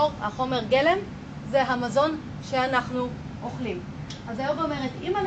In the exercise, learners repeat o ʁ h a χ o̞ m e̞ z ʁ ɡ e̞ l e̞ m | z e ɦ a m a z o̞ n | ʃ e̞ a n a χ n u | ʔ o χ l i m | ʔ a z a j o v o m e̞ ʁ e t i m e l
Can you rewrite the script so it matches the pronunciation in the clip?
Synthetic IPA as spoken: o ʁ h a χ o̞ m e̞ ʁ ɡ e̞ l e̞ m | z e ɦ a m a z o̞ n | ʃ e̞ a n a χ n u | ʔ o χ l i m | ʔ a z a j o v o m e̞ ʁ e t i m a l